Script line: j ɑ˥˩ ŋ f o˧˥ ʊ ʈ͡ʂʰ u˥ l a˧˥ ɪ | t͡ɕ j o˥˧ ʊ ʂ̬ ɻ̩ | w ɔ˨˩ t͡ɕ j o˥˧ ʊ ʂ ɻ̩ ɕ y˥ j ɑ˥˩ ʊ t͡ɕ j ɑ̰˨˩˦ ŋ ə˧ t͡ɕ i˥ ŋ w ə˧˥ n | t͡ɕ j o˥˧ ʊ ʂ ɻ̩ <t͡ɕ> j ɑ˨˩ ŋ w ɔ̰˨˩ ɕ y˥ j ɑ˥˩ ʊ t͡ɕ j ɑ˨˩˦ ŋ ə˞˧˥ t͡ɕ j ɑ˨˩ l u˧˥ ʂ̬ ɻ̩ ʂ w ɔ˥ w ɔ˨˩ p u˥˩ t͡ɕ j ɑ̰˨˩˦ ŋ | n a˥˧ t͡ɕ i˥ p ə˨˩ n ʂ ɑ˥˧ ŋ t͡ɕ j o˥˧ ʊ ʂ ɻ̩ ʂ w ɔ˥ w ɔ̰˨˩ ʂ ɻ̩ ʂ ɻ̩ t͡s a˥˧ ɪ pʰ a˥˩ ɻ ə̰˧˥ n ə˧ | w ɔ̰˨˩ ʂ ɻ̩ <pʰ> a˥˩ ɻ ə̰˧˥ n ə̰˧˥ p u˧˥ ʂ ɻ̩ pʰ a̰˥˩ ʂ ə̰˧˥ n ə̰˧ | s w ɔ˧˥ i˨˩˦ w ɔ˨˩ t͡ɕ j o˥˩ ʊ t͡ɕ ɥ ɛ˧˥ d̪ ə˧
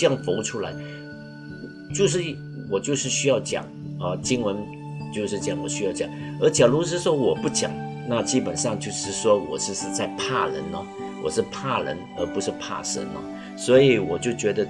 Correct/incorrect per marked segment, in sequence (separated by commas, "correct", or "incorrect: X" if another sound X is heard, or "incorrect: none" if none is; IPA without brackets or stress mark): correct, correct